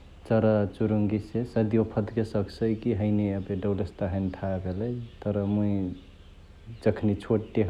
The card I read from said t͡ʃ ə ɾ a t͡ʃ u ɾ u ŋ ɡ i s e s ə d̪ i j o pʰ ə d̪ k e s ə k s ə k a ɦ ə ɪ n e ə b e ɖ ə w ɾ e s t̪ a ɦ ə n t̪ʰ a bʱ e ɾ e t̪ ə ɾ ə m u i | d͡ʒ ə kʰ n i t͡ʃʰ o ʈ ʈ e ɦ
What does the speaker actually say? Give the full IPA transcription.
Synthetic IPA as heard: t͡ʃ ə ɾ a t͡ʃ u ɾ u ŋ ɡ i s e s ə d̪ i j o pʰ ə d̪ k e s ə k s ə k i ɦ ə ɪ n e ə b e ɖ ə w l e s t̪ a ɦ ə n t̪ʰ a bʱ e l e t̪ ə ɾ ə m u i | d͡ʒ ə kʰ n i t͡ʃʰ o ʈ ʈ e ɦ